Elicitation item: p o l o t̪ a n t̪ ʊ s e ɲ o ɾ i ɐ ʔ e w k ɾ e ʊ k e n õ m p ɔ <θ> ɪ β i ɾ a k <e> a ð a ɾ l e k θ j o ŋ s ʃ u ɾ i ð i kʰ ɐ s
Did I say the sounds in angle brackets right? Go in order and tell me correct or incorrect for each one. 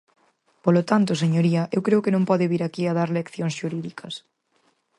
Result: incorrect: ð, incorrect: i

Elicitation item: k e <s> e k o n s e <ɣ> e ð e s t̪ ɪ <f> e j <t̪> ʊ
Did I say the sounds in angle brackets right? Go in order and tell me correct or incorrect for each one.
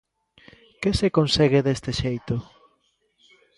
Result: correct, correct, incorrect: ʃ, correct

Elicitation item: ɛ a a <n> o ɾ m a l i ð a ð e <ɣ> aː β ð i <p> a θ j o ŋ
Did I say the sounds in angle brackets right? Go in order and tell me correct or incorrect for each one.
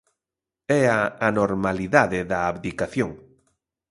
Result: correct, incorrect: ð, incorrect: k

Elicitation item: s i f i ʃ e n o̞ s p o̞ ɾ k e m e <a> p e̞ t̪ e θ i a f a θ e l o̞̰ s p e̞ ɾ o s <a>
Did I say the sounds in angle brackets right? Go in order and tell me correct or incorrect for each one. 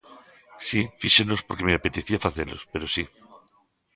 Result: correct, incorrect: i

